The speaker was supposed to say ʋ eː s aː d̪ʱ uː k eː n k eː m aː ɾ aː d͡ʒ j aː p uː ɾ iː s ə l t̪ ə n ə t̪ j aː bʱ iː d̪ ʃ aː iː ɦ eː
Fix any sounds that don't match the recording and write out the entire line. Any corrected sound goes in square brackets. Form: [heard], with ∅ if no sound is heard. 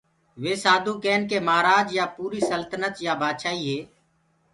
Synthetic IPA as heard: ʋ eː s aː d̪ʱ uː k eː n k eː m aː ɾ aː d͡ʒ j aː p uː ɾ iː s ə l t̪ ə n ə t̪ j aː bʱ [aː] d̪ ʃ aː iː ɦ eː